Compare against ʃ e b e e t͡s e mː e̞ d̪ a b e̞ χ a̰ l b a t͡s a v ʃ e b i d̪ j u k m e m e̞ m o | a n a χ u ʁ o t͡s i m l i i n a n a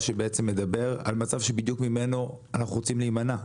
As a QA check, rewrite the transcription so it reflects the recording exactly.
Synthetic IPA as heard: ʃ e b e e t͡s e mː e̞ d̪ a b e̞ ʁ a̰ l m a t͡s a v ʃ e b i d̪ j u k m i m e̞ n o | a n a χ u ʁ o t͡s i m l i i m a n a